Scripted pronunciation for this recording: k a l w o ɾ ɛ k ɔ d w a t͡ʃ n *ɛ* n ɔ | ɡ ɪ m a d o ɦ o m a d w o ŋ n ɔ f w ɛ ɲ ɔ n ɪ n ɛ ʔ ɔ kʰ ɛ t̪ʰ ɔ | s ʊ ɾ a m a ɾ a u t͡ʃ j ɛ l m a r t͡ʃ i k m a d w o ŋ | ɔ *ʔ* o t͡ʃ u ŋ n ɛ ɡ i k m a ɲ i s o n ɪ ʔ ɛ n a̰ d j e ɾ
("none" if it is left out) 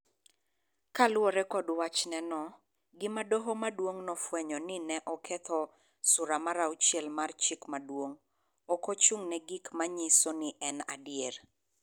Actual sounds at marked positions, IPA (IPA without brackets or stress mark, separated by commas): ɛ, k